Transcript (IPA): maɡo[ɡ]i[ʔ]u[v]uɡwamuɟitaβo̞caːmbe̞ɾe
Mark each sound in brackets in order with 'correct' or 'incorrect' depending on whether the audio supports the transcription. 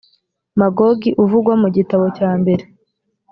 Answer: correct, correct, correct

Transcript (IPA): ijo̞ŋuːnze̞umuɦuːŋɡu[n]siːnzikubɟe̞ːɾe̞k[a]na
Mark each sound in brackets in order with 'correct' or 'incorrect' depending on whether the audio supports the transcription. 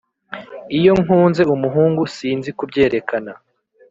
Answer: incorrect: none, correct

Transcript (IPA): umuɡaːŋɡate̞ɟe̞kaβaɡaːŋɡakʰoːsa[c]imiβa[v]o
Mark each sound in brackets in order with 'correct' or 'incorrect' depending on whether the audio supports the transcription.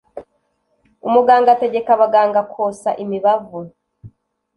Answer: incorrect: ʔ, correct

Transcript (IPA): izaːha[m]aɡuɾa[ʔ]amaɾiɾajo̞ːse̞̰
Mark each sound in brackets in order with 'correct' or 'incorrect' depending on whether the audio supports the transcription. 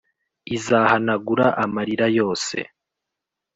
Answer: incorrect: n, correct

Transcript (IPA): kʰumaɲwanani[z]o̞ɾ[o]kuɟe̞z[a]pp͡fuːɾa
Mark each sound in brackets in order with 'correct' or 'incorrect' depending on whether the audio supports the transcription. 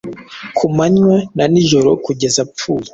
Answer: incorrect: ʒ, correct, correct

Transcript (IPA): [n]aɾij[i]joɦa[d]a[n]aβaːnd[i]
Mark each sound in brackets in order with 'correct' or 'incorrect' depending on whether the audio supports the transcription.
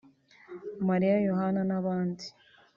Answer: incorrect: m, incorrect: a, incorrect: n, correct, correct

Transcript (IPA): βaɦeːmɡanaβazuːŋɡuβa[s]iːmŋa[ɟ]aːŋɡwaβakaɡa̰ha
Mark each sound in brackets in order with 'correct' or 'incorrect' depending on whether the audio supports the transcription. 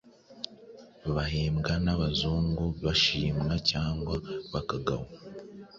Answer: incorrect: ʃ, incorrect: c

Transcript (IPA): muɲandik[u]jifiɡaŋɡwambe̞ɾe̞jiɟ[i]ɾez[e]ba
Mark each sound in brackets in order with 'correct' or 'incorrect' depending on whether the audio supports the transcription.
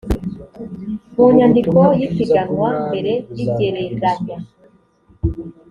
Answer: incorrect: o, incorrect: e, incorrect: a

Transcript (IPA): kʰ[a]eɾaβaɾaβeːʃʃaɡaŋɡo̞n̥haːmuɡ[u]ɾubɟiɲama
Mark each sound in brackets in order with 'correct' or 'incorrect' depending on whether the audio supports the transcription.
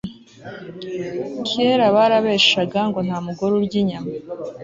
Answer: incorrect: i, incorrect: o

